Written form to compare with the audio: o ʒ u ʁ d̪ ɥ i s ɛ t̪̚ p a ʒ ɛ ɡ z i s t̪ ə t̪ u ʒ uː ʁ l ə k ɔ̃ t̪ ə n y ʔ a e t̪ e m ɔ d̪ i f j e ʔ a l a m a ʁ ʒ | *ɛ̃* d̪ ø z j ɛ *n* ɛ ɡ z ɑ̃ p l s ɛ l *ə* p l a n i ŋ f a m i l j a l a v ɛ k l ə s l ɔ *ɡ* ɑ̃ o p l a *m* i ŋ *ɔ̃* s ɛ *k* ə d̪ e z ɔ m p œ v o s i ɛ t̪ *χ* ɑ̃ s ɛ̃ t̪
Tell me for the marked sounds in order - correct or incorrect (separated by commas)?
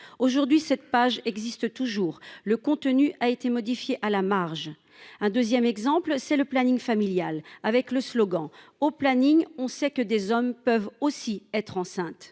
correct, incorrect, correct, correct, incorrect, correct, correct, correct